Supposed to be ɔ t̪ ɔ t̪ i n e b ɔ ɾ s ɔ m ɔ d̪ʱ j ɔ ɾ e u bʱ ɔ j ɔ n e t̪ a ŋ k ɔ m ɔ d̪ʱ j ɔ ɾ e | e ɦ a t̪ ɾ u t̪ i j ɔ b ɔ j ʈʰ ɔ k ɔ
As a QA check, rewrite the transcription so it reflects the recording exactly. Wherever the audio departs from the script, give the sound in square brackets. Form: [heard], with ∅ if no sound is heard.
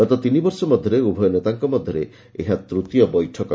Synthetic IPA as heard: ɔ t̪ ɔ t̪ i n [i] b ɔ ɾ s ɔ m ɔ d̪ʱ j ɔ ɾ e u bʱ ɔ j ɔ n e t̪ a ŋ k ɔ m ɔ d̪ʱ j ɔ ɾ e | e ɦ a t̪ ɾ u t̪ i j ɔ b ɔ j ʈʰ ɔ k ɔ